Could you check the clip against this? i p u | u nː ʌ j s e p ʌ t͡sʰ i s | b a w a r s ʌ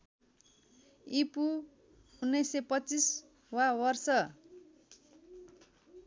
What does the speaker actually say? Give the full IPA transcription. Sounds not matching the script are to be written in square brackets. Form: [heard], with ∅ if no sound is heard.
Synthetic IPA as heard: i p u | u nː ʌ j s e p ʌ [t͡s] i s | [w] a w [ʌ] r s ʌ